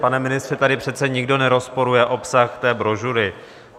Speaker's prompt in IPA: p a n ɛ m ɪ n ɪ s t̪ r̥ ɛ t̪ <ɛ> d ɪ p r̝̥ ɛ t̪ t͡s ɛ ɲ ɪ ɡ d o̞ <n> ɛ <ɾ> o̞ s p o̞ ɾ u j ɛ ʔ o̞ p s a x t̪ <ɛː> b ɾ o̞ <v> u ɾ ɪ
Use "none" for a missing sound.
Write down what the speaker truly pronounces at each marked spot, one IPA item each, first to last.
a, n, ɾ, ɛː, ʒ

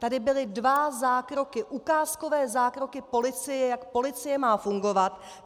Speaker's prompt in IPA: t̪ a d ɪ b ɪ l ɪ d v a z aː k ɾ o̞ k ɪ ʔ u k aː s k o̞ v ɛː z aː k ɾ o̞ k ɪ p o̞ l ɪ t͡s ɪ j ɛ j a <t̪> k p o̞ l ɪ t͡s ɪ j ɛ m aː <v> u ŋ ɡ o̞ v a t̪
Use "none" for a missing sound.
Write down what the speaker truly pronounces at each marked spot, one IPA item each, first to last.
none, f

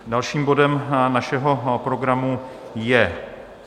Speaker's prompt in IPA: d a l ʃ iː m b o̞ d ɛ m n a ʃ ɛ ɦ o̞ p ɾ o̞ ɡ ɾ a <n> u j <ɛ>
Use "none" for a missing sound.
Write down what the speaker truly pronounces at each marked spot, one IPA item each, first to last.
m, ɛ

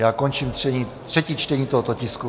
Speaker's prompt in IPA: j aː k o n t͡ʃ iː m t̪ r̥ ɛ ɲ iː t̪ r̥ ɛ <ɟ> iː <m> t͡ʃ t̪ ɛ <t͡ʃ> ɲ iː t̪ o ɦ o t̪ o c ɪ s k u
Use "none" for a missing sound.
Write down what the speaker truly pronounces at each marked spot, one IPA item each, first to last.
c, none, none

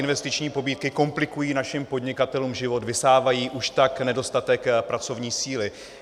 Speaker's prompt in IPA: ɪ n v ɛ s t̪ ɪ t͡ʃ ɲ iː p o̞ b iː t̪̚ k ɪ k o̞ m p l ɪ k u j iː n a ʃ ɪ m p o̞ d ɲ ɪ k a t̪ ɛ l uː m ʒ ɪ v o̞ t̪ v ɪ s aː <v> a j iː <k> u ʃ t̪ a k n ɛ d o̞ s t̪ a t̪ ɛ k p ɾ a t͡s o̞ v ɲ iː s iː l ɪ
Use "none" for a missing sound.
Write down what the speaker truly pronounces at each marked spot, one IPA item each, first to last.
v, ʔ

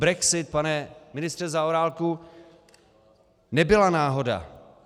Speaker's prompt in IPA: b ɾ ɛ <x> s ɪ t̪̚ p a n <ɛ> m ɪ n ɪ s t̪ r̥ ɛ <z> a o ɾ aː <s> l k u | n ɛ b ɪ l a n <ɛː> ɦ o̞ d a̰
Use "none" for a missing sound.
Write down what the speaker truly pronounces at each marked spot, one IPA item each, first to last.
k, ɛ, z, none, aː

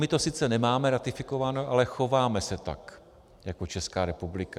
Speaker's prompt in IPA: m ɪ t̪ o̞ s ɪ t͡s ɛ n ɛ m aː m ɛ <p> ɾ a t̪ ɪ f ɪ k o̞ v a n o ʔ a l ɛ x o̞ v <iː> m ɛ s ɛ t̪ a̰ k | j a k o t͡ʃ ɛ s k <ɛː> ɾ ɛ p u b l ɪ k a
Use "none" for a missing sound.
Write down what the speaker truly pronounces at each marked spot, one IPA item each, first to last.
none, aː, aː

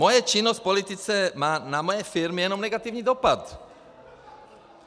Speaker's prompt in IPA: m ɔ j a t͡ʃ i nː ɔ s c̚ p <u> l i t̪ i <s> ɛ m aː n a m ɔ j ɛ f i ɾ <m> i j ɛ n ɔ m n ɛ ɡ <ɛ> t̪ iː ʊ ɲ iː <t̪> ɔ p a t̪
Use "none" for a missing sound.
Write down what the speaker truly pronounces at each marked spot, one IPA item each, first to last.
ɔ, t͡s, m, a, d̪

